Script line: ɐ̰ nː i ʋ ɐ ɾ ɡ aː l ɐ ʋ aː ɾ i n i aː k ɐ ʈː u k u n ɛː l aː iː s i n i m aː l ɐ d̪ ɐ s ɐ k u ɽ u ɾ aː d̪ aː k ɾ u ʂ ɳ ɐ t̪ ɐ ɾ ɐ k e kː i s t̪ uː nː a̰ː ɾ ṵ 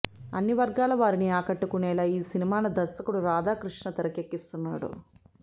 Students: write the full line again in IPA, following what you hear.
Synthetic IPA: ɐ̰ nː i ʋ ɐ ɾ ɡ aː l ɐ ʋ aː ɾ i n i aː k ɐ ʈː u k u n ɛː l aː iː s i n i m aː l ɐ d̪ ɐ s ɐ k u ɽ u ɾ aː d̪ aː k ɾ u ʂ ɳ ɐ t̪ ɐ ɾ ɐ k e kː i s t̪ u nː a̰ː ɽ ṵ